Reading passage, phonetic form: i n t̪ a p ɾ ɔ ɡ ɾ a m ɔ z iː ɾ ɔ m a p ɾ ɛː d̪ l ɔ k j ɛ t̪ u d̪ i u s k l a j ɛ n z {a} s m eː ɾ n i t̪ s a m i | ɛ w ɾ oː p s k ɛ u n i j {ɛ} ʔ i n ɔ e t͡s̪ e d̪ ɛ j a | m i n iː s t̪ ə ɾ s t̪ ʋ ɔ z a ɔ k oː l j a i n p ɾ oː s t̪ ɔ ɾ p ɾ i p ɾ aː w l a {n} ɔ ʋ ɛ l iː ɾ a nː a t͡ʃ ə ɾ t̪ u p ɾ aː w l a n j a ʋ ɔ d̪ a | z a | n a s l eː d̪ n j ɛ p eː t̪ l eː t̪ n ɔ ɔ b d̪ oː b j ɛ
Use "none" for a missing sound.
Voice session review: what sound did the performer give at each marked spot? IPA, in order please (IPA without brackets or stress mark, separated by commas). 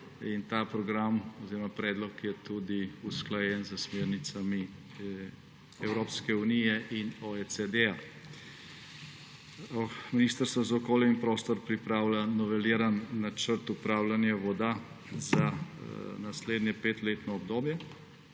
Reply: ə, ɛ, n